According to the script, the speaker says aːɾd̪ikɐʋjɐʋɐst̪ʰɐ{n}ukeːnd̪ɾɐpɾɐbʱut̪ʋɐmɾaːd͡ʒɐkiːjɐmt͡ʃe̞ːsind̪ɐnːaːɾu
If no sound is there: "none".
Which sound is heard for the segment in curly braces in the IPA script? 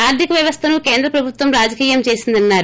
n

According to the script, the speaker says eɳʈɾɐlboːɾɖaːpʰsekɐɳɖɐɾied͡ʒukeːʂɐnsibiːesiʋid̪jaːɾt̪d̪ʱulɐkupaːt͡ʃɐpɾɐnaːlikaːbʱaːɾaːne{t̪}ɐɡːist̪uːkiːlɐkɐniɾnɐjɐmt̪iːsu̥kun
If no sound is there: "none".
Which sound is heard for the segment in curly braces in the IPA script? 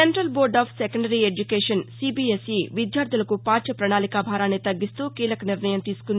t̪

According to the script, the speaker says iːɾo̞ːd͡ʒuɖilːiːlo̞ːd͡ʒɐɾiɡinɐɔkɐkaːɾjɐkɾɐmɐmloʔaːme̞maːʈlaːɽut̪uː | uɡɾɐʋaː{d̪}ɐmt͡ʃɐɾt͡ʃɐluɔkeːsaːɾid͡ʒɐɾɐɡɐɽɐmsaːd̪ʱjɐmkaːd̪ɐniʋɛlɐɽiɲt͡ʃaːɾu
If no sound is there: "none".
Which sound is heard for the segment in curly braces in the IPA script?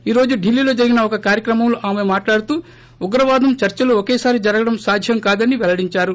d̪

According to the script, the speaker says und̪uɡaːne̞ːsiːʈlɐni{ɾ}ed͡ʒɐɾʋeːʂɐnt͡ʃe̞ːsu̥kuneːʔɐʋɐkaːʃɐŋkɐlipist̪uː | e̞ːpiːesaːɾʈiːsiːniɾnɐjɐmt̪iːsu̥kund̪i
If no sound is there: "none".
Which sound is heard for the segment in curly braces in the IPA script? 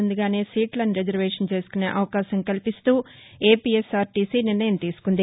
ɾ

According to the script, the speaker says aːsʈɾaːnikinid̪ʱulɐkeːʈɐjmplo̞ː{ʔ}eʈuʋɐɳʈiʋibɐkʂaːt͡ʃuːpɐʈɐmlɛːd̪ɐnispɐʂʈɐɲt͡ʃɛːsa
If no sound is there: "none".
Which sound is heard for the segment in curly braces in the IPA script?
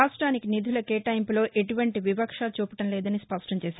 ʔ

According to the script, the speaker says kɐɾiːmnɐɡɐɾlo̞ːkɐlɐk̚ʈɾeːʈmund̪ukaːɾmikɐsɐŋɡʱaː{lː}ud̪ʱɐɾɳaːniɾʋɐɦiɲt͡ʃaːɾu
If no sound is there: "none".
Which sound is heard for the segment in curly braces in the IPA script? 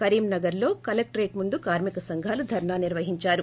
l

